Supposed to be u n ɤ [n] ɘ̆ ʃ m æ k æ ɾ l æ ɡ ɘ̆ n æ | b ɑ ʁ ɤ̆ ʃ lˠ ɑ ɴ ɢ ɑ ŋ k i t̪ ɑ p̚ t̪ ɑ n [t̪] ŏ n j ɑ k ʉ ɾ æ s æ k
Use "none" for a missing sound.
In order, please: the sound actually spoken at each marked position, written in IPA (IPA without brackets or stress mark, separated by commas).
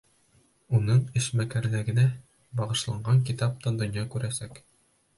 ɴ, d̪